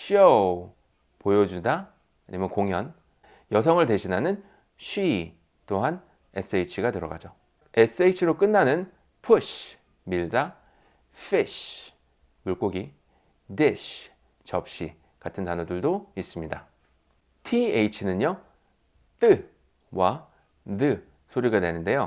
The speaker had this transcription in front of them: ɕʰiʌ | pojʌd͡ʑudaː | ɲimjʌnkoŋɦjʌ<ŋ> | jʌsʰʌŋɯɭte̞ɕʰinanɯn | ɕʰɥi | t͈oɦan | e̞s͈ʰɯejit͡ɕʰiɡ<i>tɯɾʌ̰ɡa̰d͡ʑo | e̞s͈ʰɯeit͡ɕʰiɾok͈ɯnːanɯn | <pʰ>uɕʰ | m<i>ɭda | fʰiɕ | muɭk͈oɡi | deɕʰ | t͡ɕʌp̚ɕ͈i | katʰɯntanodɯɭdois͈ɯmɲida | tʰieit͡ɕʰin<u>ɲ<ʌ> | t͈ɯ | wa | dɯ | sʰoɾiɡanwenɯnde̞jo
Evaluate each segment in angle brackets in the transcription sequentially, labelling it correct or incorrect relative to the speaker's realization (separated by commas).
incorrect, incorrect, correct, correct, incorrect, correct